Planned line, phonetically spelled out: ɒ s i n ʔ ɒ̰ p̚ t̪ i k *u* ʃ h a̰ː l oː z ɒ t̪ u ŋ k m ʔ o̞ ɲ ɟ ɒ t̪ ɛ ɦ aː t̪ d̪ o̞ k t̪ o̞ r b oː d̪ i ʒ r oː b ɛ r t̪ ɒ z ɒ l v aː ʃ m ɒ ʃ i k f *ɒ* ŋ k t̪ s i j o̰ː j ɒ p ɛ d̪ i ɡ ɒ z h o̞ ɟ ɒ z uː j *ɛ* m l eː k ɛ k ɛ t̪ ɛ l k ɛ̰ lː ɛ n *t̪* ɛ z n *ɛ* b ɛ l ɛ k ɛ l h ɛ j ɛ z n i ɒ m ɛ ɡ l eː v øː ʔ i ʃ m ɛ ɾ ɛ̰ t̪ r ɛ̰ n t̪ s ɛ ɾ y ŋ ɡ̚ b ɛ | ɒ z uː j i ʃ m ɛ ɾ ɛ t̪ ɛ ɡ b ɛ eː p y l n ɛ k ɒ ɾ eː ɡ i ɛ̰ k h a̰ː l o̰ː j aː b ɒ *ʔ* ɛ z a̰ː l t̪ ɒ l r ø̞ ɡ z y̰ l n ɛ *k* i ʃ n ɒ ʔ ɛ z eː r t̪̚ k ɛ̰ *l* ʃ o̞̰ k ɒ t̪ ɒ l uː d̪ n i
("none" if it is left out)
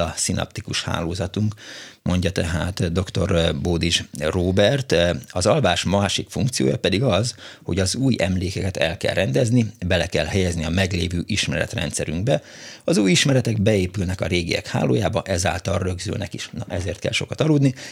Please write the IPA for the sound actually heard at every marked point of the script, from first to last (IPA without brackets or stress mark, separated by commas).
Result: u, u, ɛ, d̪, i, ʔ, k, l